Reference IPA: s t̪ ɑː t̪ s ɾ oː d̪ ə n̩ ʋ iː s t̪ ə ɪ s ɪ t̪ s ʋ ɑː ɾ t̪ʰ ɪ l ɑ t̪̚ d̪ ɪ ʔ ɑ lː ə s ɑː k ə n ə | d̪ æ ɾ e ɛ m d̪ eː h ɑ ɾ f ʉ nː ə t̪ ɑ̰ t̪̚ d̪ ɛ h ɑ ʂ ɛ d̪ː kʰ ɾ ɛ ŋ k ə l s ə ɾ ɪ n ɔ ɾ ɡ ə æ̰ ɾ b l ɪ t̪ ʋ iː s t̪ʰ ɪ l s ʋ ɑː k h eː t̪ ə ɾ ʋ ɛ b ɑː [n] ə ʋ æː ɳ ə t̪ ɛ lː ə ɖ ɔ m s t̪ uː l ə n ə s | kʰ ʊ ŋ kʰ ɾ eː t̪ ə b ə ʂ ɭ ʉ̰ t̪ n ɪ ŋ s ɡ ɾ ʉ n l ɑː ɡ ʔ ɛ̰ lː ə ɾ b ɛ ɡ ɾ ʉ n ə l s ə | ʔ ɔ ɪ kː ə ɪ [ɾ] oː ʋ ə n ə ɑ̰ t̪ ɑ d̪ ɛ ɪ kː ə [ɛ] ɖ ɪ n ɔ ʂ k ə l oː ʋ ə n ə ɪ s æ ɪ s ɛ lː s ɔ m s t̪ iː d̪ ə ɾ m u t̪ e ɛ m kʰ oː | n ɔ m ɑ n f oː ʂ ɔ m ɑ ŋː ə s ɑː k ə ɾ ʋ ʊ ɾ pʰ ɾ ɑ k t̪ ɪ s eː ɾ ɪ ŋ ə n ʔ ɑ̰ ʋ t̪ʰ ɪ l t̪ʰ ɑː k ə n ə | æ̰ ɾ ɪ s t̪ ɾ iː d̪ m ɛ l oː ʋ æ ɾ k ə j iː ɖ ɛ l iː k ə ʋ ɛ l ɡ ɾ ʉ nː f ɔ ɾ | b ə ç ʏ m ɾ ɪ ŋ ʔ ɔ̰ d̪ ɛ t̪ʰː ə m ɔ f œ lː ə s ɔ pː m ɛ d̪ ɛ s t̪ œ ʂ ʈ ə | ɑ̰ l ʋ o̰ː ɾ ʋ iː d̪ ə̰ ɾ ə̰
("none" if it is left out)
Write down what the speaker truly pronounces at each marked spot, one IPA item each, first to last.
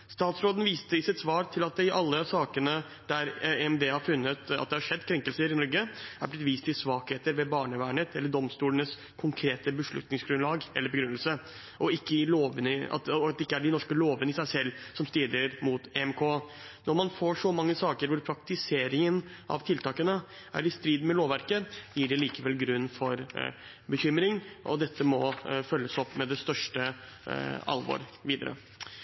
ɳ, l, æ

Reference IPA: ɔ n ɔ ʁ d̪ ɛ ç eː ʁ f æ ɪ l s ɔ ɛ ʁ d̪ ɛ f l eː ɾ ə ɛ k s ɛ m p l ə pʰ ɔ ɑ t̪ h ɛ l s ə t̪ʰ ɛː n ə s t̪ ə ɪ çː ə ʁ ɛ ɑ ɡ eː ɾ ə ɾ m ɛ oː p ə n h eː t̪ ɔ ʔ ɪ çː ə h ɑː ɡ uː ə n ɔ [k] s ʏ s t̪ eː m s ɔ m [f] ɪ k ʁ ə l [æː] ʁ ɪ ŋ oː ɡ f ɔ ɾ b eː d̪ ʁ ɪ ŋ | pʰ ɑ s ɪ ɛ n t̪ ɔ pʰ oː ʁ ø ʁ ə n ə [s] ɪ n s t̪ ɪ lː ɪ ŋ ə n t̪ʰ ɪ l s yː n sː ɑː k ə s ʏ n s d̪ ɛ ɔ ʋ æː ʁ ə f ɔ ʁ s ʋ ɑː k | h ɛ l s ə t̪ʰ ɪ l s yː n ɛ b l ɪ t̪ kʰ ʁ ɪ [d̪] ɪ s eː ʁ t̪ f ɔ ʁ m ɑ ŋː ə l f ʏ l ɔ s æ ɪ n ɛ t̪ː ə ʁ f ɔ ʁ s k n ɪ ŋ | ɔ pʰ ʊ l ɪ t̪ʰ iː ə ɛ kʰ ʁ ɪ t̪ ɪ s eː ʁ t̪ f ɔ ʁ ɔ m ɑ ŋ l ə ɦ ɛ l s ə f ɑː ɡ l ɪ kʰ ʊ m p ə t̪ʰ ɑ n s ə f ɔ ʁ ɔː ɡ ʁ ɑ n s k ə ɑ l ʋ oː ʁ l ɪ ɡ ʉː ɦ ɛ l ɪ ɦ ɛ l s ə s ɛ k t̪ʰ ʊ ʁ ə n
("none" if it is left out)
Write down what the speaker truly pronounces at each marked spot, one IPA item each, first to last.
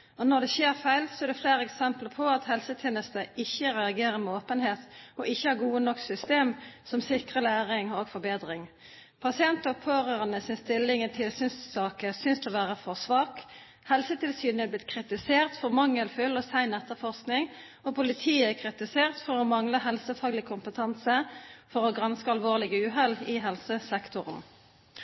k, s, æː, s, t̪

